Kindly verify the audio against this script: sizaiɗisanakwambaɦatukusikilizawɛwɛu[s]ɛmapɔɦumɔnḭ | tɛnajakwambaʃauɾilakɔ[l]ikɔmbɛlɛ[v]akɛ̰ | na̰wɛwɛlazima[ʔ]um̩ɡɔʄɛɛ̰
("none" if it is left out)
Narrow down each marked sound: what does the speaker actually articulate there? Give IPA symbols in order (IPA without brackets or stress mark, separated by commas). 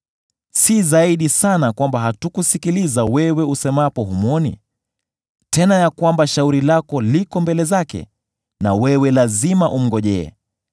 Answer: s, l, z, ʔ